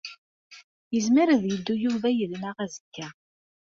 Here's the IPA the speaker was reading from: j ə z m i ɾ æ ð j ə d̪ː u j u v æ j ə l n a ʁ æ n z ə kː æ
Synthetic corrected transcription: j ə z m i ɾ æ ð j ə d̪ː u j u v æ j ə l n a ʁ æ z ə kː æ